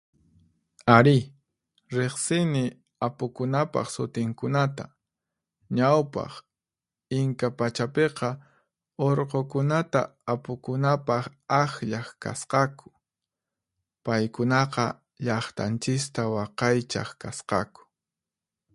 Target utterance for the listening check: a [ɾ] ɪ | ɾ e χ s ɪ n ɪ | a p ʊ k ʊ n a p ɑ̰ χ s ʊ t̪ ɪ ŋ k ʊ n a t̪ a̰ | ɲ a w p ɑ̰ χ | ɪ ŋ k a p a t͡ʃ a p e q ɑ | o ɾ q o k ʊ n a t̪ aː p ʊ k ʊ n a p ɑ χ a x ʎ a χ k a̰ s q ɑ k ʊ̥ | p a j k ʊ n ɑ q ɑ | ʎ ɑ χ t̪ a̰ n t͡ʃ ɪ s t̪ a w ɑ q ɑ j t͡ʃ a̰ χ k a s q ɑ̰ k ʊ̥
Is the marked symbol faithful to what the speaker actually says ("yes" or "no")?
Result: yes